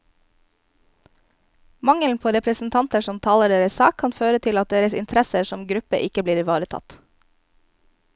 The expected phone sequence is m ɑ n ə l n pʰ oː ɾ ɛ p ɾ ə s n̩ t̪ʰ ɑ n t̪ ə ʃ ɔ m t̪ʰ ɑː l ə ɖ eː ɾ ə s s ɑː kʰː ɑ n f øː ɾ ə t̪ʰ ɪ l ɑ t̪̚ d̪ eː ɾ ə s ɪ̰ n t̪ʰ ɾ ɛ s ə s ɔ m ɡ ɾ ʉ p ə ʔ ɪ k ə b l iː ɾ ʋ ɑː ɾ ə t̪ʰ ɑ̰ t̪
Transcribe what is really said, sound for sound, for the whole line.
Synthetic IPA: m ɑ ŋ ə l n pʰ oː ɾ ɛ p ɾ ə s n̩ t̪ʰ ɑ n t̪ ə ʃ ɔ m t̪ʰ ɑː l ə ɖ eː ɾ ə s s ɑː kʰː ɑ n f øː ɾ ə t̪ʰ ɪ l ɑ t̪̚ d̪ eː ɾ ə s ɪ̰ n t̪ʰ ɾ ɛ s ə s ɔ m ɡ ɾ ʉ p ə ʔ ɪ k ə b l iː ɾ ʋ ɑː ɾ ə t̪ʰ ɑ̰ t̪